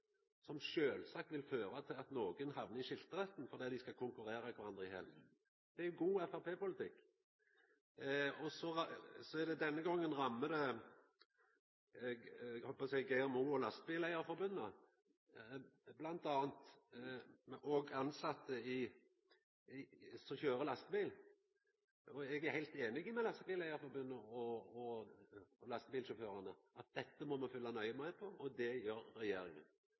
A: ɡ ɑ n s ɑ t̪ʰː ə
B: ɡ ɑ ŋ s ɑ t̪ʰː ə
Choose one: A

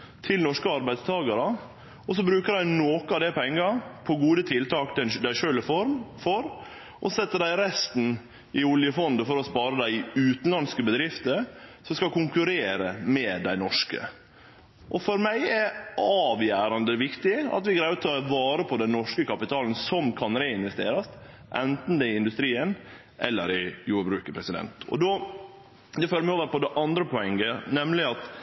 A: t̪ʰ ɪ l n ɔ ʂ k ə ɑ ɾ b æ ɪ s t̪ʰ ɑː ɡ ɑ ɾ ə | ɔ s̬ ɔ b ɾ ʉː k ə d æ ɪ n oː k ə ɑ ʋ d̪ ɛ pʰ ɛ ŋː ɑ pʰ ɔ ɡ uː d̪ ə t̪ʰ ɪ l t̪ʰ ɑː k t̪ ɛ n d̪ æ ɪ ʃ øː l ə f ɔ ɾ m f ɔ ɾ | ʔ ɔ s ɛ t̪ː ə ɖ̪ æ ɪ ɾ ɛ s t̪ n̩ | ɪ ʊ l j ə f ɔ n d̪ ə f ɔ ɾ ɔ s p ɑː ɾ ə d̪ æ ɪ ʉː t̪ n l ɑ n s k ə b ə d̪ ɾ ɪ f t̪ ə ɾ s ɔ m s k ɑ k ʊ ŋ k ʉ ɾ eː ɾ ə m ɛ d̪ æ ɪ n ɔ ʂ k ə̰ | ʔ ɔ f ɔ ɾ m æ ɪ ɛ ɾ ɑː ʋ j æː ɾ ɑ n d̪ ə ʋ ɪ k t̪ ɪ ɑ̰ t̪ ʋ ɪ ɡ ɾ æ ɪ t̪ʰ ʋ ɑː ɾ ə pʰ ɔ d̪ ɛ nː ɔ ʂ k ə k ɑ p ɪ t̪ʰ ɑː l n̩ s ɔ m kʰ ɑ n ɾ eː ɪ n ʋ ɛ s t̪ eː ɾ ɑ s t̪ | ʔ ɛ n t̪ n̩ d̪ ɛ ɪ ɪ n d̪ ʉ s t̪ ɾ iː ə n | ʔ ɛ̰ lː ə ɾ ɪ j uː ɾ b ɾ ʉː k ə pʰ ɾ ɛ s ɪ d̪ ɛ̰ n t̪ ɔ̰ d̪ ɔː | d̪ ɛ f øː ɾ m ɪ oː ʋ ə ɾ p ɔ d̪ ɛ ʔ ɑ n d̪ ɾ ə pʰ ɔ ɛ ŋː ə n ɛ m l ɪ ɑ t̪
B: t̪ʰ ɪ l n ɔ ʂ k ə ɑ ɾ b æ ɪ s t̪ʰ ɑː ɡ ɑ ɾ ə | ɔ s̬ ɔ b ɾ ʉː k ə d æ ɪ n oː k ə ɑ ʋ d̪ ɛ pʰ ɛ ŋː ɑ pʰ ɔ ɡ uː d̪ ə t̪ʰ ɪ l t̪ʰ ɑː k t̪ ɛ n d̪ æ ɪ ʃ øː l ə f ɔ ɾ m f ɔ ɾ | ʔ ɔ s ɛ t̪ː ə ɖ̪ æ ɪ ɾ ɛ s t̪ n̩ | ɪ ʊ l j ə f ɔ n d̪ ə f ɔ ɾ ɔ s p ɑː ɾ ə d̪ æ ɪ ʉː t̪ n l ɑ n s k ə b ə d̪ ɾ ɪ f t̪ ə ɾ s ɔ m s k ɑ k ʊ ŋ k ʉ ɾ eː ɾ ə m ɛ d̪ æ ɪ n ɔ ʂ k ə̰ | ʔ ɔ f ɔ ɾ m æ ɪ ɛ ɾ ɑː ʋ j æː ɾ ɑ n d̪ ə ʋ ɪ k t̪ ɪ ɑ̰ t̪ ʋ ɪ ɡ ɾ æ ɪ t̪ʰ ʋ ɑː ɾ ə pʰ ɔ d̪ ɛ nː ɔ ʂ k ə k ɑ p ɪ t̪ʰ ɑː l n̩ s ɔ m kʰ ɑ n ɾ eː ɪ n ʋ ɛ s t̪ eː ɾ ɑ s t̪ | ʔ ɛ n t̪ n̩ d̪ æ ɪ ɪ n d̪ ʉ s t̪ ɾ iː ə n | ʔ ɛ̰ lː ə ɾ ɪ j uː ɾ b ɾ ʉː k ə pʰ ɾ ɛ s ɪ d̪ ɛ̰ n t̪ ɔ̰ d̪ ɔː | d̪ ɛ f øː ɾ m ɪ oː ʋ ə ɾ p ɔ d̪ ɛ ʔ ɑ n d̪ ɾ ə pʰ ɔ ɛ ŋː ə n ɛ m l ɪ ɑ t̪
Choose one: A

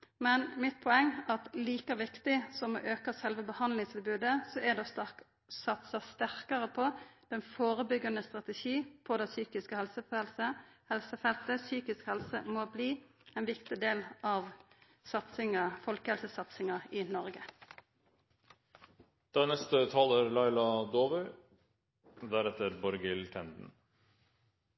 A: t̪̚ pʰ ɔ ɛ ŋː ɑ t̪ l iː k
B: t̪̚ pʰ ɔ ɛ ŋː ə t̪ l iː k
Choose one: A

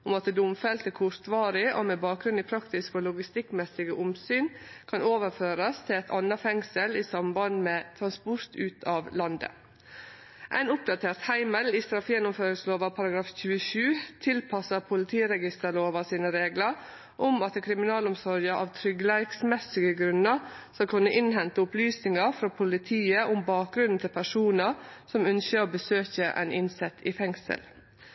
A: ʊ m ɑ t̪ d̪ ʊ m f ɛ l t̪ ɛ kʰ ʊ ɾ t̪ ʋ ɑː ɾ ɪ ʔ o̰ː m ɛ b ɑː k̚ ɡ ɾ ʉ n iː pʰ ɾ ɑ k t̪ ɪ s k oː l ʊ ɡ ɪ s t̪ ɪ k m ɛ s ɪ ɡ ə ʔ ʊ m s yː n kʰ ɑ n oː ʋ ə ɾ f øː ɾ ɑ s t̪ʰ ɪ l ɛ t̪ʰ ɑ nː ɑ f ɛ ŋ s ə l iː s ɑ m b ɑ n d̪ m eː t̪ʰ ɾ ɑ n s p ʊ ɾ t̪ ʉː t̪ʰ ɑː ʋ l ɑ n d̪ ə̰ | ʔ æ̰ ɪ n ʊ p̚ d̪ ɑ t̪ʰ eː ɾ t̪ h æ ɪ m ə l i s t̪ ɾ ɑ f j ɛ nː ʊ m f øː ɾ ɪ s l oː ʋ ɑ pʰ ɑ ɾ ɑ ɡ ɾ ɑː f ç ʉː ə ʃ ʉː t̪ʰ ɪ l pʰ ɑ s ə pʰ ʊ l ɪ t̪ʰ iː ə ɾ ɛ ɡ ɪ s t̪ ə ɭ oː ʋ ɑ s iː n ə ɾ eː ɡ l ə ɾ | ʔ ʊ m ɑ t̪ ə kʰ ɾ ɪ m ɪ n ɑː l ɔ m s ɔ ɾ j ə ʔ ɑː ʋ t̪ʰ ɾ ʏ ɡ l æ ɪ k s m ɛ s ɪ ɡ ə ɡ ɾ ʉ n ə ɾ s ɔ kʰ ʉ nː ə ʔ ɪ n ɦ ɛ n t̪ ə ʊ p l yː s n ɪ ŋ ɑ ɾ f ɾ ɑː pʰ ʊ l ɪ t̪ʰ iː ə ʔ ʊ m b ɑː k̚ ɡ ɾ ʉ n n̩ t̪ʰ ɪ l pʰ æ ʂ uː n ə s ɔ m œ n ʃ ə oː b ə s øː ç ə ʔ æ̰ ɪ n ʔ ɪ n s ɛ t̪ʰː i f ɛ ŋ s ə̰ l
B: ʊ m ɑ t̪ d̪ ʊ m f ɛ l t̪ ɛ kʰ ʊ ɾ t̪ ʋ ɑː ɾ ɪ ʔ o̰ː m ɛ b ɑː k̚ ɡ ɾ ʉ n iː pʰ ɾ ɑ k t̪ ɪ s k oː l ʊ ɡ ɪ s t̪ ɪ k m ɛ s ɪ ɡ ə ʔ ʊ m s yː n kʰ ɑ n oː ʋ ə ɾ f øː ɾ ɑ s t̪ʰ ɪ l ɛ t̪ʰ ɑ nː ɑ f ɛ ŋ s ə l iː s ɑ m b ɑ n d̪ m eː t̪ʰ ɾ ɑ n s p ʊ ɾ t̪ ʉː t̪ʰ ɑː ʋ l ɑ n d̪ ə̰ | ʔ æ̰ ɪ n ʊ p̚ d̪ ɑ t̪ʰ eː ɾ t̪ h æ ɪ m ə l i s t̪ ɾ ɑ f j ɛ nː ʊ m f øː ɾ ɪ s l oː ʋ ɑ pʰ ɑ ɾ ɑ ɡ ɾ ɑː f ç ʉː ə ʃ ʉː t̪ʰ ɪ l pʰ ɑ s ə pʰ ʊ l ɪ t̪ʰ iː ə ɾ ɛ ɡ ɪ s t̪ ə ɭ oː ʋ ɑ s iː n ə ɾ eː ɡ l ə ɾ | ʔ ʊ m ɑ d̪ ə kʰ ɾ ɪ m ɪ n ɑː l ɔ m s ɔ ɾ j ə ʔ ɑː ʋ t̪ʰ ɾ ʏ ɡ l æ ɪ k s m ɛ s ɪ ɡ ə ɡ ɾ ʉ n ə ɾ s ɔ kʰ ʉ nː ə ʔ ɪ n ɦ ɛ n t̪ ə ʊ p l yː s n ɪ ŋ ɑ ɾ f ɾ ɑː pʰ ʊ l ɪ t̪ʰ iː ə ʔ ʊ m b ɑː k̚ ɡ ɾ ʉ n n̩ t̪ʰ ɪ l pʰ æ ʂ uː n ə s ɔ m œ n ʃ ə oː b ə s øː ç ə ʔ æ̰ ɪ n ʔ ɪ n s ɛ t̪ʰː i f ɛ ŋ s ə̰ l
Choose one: A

